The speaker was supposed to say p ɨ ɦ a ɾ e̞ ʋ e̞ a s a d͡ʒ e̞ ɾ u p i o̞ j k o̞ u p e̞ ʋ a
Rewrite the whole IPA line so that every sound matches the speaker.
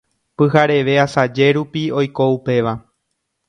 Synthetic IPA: p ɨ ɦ a ɾ e̞ ʋ e̞ a s a d͡ʒ e̞ ɾ u p i o̞ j k o̞ u p e̞ ʋ a